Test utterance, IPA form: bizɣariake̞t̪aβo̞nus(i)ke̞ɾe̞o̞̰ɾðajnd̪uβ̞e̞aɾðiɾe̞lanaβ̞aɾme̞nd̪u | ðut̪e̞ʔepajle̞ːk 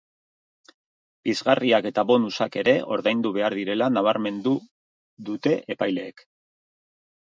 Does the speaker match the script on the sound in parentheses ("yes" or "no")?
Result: no